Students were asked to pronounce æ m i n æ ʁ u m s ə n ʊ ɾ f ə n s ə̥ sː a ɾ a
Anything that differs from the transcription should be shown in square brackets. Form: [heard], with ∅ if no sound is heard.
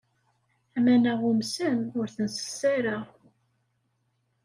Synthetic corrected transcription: æ m [æ] n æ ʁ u m s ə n ʊ ɾ [θ] ə n s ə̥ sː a ɾ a